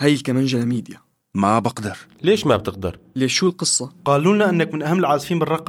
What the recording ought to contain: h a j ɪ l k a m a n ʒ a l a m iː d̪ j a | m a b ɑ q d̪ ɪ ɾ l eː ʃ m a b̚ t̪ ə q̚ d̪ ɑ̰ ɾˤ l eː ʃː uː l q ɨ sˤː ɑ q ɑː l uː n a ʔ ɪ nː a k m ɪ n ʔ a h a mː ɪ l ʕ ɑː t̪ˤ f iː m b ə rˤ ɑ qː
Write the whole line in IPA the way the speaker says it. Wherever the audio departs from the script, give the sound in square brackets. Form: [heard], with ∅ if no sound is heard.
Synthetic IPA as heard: h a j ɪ l k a m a n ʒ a l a m iː d̪ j a | m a b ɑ q d̪ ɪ ɾ l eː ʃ m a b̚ t̪ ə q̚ d̪ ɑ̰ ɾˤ l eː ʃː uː l q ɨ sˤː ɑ q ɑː l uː n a ʔ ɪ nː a k m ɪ n ʔ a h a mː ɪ l ʕ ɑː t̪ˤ f iː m b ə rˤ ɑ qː